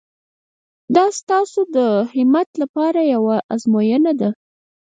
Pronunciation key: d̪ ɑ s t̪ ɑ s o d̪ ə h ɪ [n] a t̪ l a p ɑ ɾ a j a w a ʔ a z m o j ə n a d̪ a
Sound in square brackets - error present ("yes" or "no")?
yes